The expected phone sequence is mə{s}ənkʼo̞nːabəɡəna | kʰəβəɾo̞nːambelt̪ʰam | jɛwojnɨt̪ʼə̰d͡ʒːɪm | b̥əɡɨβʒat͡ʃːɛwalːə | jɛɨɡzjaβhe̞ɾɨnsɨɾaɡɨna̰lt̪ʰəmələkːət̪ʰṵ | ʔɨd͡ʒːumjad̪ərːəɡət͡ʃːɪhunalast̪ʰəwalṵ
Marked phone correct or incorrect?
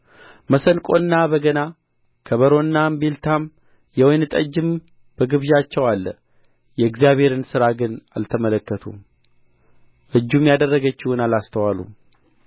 correct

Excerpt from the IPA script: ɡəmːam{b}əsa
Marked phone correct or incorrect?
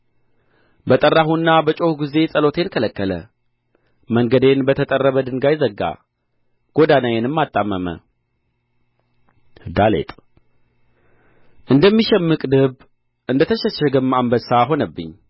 correct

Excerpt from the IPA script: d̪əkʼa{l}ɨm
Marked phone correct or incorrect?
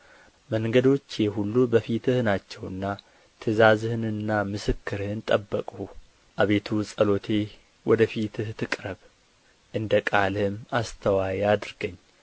correct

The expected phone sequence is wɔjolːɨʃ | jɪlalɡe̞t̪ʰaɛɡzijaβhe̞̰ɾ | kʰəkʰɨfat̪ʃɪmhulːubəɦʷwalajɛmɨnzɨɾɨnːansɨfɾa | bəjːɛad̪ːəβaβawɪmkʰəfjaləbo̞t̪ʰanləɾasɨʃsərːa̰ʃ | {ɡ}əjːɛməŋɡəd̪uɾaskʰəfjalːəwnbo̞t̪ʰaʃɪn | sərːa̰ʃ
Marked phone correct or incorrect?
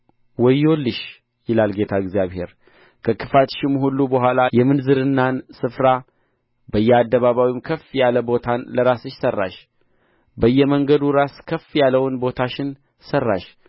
incorrect: b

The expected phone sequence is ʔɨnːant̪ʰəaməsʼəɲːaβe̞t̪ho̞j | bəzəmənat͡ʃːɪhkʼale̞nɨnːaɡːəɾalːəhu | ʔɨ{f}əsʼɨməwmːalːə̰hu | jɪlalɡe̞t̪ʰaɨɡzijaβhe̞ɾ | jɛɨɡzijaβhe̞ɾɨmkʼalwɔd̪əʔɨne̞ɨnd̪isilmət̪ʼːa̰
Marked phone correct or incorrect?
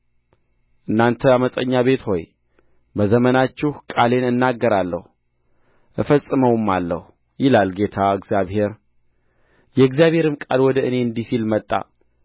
correct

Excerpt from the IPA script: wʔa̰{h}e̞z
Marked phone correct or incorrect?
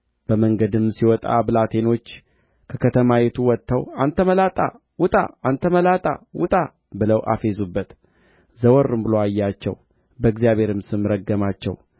incorrect: f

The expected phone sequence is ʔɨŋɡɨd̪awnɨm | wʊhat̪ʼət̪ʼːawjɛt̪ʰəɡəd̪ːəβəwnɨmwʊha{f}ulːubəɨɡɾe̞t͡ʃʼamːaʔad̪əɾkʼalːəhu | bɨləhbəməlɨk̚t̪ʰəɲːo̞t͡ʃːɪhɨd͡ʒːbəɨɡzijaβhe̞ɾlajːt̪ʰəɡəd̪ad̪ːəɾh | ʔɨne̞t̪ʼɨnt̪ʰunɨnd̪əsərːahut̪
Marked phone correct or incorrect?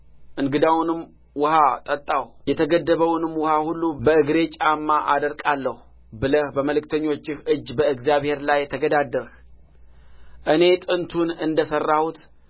incorrect: h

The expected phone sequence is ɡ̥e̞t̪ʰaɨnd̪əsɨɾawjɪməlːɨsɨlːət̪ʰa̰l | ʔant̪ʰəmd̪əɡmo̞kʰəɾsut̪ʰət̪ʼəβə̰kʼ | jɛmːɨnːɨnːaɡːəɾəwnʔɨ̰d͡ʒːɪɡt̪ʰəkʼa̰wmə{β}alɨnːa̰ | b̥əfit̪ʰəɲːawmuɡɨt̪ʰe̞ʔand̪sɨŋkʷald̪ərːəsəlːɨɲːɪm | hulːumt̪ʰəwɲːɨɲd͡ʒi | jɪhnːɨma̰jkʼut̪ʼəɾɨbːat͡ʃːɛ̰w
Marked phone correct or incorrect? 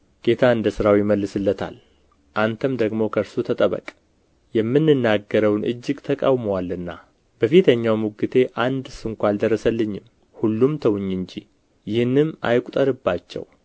incorrect: w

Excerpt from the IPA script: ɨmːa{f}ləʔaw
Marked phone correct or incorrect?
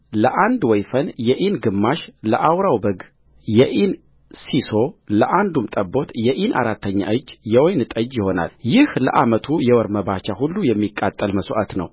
incorrect: ʃ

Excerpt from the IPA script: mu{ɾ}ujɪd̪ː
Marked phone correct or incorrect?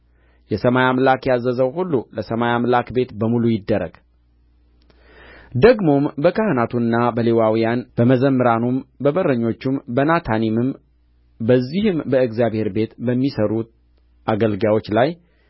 incorrect: l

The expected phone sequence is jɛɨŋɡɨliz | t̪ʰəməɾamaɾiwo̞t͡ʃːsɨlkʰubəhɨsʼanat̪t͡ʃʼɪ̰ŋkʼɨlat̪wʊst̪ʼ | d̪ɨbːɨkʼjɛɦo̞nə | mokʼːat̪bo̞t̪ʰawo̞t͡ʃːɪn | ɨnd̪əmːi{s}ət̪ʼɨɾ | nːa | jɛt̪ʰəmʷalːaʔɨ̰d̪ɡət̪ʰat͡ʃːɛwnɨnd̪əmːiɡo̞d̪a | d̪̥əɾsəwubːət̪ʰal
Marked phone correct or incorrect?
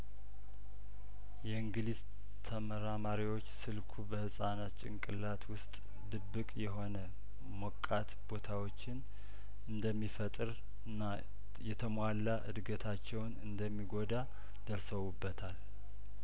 incorrect: f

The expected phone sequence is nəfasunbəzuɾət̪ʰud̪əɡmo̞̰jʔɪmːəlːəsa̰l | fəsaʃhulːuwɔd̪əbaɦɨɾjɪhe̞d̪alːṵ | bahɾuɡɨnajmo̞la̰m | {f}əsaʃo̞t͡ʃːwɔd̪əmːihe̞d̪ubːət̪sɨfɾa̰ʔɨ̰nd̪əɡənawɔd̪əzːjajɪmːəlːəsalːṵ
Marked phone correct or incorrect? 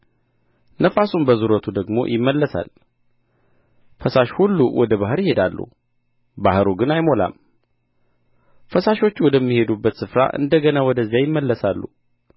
correct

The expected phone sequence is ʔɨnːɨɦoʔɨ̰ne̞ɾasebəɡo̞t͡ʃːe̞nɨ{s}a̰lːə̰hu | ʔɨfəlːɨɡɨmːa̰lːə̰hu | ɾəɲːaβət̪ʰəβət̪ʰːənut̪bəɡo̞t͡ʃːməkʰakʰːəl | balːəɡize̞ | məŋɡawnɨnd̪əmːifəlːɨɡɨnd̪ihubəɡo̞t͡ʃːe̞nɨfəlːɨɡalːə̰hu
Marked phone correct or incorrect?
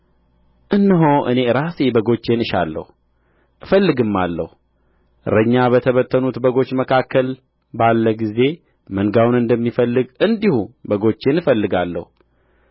incorrect: ʃ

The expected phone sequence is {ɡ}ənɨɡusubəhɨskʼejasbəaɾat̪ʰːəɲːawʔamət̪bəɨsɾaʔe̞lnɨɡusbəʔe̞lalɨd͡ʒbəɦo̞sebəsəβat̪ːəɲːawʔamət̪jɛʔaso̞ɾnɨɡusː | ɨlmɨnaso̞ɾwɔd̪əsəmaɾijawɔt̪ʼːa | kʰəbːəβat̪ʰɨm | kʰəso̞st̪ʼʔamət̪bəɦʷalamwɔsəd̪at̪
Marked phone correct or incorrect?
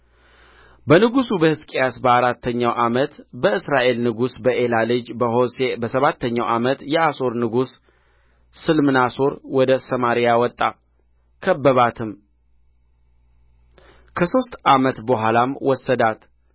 incorrect: b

